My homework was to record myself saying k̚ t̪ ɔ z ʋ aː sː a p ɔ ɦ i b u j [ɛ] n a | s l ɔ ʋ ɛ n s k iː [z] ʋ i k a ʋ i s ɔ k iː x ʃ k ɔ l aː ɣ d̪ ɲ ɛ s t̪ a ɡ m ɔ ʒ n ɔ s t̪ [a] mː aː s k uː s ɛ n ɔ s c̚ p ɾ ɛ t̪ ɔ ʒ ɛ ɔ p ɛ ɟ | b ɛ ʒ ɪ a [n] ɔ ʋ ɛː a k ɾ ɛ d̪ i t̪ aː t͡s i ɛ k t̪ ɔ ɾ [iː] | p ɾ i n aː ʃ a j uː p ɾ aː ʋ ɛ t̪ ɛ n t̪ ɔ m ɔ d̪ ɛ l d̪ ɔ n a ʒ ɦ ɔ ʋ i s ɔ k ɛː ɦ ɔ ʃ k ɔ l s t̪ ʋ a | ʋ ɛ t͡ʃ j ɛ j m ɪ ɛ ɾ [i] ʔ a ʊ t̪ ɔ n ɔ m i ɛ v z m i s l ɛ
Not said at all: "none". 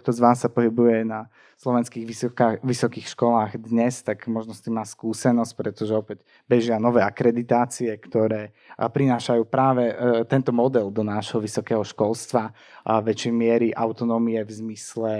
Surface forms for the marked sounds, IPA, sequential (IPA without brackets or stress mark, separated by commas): ɛ, ɣ, i, n, ɛː, i